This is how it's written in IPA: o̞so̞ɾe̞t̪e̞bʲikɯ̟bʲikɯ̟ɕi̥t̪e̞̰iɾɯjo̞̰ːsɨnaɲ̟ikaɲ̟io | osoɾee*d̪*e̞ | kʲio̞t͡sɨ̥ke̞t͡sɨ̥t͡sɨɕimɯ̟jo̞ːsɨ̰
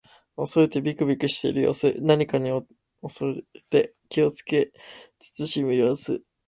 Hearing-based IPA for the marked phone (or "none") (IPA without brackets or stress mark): t̪